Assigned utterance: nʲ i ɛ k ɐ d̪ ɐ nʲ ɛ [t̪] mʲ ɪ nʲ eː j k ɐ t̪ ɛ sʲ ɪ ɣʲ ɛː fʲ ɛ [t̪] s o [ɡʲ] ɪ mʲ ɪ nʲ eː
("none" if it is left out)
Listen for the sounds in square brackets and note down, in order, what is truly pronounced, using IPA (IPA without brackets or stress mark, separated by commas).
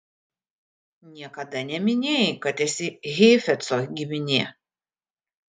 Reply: none, t̪, ɡʲ